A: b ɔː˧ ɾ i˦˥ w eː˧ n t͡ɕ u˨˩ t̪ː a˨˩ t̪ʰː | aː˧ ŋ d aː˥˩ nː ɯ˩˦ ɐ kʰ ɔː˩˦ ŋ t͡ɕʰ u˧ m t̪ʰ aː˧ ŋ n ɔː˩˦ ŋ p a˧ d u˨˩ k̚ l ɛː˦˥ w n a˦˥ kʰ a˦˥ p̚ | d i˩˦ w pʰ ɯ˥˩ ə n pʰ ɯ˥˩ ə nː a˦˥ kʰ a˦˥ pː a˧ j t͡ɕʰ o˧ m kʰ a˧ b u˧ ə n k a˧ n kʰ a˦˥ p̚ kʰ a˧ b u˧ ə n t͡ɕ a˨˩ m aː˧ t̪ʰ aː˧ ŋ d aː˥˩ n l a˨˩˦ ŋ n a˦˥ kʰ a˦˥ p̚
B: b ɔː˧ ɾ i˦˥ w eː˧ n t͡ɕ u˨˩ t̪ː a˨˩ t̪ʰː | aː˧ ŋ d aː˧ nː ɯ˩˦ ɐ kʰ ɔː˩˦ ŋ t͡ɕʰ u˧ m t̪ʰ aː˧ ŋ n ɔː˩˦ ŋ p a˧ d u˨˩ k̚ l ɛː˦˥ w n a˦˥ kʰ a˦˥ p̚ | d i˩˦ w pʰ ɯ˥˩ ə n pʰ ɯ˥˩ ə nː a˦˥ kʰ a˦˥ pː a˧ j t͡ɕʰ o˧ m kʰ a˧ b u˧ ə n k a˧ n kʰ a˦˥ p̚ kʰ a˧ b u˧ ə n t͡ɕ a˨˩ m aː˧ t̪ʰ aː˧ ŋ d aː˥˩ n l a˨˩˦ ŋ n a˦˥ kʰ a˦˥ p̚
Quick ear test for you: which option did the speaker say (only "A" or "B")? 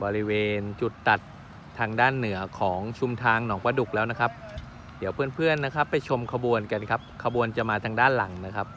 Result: A